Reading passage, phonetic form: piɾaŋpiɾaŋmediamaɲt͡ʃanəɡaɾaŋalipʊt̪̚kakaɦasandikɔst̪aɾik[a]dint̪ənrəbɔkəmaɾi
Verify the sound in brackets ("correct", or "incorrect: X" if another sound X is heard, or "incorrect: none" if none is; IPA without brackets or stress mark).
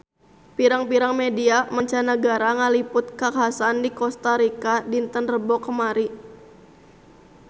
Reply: correct